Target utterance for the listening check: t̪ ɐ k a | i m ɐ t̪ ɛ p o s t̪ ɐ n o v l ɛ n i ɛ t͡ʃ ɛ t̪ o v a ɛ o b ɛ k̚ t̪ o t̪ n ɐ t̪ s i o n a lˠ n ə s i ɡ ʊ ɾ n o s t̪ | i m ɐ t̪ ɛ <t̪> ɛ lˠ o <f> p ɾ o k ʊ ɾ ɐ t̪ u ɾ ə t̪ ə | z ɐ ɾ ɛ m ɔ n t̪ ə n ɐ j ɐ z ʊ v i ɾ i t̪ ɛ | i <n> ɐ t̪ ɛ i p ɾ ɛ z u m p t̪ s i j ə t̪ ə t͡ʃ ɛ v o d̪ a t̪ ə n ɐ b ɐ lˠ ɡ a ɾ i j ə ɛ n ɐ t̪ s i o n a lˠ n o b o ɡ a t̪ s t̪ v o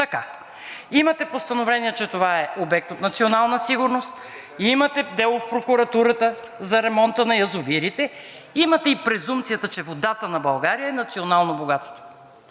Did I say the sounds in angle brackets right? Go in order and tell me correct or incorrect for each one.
incorrect, correct, incorrect

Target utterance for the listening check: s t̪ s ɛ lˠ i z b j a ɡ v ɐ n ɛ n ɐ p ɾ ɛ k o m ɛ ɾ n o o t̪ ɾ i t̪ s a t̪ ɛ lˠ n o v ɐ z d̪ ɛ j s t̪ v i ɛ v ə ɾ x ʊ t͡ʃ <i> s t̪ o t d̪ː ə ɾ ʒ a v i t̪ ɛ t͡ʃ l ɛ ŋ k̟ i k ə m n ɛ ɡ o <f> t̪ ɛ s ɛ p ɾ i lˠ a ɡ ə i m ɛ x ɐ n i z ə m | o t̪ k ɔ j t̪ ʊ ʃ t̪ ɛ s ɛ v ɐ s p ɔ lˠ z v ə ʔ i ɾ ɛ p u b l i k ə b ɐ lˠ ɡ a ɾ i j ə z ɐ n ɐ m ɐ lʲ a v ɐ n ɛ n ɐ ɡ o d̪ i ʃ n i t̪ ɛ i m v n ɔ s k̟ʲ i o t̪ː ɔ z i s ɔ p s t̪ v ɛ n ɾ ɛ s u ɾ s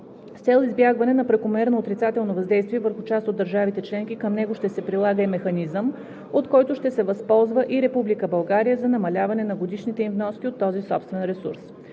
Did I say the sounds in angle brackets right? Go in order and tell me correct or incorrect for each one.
incorrect, incorrect

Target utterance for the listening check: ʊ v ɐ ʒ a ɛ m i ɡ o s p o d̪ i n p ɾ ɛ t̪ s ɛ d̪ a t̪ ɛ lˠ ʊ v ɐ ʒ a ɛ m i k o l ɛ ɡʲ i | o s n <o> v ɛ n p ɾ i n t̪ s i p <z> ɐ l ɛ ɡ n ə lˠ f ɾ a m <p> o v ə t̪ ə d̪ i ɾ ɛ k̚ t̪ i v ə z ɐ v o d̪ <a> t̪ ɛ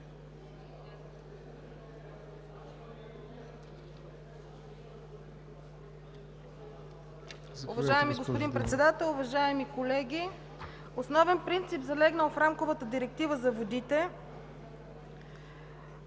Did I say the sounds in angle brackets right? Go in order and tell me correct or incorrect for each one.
incorrect, correct, incorrect, incorrect

